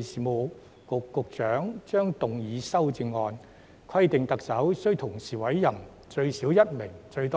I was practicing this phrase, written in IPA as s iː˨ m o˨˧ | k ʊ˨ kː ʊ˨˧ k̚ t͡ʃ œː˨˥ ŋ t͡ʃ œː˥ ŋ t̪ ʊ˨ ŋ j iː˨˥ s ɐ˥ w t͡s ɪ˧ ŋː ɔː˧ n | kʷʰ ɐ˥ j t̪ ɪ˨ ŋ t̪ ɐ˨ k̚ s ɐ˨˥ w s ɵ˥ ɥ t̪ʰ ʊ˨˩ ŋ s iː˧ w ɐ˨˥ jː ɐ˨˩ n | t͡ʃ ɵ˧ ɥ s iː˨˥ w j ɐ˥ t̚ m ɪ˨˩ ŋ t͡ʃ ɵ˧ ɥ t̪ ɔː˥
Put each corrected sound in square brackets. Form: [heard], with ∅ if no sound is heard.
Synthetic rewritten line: s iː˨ m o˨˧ | k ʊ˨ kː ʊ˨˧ k̚ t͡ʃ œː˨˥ ŋ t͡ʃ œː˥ ŋ t̪ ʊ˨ ŋ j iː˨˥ s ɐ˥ w t͡s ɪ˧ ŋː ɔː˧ n | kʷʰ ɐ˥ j t̪ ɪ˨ ŋ t̪ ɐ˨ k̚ s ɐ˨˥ w s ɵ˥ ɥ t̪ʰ ʊ˨˩ ŋ s [iː˨˩] w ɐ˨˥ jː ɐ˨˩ n | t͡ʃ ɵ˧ ɥ s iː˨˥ w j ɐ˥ t̚ m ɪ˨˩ ŋ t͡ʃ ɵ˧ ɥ t̪ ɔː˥

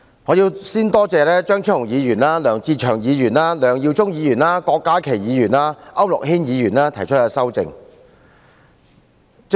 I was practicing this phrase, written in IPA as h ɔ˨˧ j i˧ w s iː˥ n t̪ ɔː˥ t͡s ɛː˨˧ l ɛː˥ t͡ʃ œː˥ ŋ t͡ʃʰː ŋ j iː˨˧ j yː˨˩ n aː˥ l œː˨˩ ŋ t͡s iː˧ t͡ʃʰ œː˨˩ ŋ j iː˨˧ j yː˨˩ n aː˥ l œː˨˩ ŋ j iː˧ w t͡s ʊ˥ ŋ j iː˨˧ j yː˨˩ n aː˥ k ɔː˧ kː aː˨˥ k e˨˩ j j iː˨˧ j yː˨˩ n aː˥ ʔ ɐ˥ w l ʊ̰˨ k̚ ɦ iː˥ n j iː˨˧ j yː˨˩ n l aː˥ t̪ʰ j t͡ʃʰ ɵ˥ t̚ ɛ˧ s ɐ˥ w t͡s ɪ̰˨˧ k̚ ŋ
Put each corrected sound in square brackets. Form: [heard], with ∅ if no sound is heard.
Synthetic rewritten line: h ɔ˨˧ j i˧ w s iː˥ n t̪ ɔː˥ t͡s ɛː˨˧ l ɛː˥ t͡ʃ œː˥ ŋ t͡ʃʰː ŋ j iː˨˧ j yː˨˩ n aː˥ l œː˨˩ ŋ t͡s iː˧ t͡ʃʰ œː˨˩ ŋ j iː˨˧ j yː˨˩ n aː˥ l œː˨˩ ŋ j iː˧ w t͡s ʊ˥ ŋ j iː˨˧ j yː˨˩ n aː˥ k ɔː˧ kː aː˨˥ [kʰ] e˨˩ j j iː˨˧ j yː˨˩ n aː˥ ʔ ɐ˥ w l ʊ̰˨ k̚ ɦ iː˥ n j iː˨˧ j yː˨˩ n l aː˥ t̪ʰ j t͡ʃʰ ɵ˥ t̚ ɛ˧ s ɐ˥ w t͡s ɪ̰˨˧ [∅] ŋ

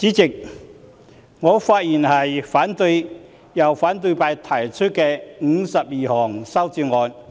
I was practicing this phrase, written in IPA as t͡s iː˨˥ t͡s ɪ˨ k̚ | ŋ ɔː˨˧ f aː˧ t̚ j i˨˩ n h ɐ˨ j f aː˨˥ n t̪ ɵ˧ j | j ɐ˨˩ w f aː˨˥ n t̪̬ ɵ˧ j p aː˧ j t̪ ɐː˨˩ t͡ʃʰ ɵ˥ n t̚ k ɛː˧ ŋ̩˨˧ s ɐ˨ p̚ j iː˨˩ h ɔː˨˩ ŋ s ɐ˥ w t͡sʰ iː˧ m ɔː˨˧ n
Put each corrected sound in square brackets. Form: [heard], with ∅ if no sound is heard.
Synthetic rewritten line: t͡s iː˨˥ t͡s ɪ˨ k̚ | ŋ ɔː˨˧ f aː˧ t̚ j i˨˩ n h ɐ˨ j f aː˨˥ n t̪ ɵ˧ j | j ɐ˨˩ w f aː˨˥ n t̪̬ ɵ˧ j p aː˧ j [t̪ʰ] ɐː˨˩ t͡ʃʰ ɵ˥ [∅] t̚ k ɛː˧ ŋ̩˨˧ s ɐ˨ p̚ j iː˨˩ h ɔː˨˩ ŋ s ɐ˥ w [t͡s] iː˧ [ŋ] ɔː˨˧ n

